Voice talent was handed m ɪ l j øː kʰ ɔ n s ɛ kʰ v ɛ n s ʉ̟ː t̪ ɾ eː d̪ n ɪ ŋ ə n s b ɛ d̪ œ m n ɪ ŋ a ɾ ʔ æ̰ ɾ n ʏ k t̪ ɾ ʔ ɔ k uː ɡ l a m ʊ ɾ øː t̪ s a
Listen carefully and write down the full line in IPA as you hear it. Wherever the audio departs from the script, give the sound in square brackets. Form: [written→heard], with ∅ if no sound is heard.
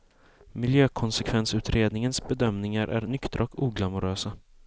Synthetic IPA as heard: m ɪ l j øː kʰ ɔ n s ɛ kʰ v ɛ n s ʉ̟ː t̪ ɾ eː d̪ n ɪ ŋ ə n s b ɛ d̪ œ m n ɪ ŋ a ɾ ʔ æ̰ ɾ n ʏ k t̪ ɾ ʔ ɔ k uː ɡ l a m ʊ ɾ øː [t̪→∅] s a